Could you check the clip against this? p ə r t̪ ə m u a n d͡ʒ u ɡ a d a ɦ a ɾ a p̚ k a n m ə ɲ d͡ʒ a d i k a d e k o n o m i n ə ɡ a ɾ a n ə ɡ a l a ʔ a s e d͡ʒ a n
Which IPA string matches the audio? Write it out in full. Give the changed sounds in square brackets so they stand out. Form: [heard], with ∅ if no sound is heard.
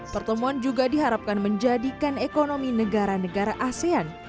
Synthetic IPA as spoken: p ə r t̪ ə m u a n d͡ʒ u ɡ a d [i] ɦ a ɾ a p̚ k a n m ə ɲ d͡ʒ a d i k a [n] e k o n o m i n ə ɡ a ɾ a n ə ɡ a [ɾ] a ʔ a s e [∅] a n